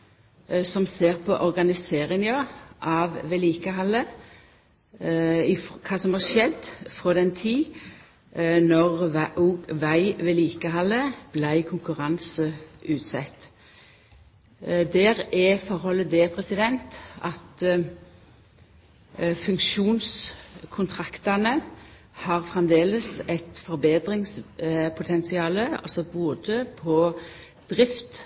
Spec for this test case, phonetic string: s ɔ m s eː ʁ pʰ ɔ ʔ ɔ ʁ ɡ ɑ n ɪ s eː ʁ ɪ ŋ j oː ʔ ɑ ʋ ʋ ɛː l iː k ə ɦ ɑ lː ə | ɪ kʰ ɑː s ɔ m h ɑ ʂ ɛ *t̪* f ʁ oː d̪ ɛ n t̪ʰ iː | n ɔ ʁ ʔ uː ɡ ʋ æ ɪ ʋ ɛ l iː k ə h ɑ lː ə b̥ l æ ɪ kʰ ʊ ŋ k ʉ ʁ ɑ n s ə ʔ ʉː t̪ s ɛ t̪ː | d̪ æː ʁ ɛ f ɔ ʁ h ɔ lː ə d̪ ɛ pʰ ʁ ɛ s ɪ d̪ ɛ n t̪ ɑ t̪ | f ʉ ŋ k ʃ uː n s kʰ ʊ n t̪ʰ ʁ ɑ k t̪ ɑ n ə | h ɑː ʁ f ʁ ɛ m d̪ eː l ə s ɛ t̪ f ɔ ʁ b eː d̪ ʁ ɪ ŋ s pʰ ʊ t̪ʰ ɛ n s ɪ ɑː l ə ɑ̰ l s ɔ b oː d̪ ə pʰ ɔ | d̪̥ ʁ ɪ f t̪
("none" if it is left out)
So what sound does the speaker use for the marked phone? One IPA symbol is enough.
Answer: d̪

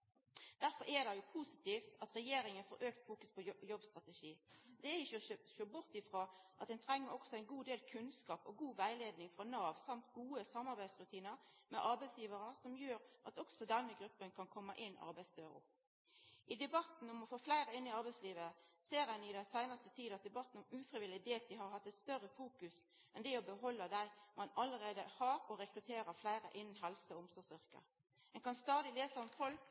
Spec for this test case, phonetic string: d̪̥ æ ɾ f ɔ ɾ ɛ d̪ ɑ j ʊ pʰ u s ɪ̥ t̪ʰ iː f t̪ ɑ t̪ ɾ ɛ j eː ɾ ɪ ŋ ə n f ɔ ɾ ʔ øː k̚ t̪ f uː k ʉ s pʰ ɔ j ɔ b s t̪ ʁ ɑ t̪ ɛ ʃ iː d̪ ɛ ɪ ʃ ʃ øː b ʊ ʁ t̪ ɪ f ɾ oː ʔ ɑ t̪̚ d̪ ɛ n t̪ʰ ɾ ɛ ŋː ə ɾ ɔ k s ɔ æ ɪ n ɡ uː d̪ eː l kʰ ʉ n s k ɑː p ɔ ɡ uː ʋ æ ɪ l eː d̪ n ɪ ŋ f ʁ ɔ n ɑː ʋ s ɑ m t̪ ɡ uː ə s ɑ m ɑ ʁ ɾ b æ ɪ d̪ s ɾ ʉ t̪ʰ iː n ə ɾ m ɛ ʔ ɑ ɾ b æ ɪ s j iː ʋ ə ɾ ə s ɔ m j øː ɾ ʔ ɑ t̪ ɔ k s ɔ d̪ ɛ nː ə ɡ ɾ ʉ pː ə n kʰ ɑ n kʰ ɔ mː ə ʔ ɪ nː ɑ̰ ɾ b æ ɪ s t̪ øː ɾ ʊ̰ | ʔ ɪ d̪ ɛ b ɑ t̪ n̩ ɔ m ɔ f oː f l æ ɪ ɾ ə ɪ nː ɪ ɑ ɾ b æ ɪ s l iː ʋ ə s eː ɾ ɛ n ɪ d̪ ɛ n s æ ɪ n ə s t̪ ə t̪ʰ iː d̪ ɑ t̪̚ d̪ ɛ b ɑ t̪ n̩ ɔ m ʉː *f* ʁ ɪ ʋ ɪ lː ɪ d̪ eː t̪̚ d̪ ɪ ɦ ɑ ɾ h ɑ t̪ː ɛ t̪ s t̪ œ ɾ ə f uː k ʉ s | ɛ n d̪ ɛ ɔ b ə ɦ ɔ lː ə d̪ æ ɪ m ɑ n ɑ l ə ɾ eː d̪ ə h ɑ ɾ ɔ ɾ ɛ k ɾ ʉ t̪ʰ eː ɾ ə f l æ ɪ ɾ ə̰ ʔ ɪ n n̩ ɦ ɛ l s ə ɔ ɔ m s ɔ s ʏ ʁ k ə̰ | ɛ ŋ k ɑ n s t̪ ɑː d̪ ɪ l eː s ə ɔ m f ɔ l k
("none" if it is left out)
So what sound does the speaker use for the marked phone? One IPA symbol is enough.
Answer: f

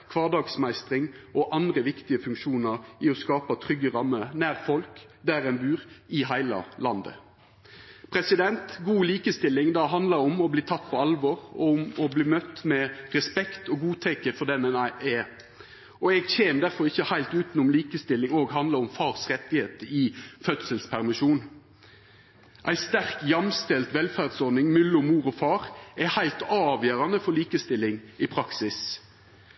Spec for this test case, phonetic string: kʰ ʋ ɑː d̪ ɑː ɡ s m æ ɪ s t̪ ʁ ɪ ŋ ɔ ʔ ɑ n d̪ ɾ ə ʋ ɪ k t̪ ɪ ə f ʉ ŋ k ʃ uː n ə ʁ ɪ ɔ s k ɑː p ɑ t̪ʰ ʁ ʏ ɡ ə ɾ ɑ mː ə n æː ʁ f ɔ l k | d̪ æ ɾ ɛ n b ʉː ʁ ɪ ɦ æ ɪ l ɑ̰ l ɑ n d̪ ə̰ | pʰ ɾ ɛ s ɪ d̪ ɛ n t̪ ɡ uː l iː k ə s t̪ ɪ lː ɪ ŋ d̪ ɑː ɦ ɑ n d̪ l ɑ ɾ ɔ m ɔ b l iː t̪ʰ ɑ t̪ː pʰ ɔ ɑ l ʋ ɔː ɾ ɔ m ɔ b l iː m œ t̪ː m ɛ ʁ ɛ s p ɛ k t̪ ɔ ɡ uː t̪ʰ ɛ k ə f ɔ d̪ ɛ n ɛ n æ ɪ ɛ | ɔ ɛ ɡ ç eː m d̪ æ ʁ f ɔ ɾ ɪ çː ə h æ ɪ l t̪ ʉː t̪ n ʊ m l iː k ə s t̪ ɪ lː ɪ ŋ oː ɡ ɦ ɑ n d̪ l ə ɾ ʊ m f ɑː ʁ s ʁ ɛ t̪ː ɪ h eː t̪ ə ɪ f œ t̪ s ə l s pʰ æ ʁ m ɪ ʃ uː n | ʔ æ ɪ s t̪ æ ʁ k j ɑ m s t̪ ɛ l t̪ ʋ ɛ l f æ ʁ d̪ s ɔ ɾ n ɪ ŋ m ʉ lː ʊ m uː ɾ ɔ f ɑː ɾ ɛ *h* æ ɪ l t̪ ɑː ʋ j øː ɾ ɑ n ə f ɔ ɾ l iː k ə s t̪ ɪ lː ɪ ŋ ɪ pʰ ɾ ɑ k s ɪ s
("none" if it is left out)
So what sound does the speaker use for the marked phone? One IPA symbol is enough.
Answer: h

